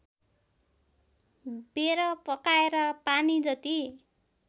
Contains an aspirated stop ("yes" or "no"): no